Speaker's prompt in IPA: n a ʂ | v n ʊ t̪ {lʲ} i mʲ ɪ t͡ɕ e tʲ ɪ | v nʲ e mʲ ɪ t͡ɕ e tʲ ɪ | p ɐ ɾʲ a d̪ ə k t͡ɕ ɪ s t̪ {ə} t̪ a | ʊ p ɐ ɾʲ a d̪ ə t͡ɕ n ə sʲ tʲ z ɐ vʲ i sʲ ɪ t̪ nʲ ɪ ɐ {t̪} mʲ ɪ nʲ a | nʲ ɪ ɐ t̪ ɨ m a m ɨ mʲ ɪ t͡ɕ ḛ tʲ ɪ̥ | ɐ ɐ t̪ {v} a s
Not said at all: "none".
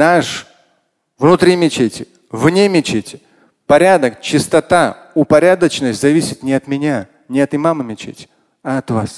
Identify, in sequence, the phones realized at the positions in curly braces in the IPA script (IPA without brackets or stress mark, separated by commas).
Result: ɾʲ, ɐ, t̪, v